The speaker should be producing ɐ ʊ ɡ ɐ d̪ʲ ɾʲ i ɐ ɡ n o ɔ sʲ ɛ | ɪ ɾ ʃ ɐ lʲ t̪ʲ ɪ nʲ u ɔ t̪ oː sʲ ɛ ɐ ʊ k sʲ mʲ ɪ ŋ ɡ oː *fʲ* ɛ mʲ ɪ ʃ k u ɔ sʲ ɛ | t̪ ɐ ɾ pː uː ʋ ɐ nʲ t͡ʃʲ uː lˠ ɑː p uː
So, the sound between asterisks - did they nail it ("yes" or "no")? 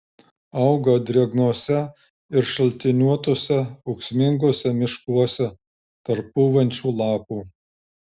no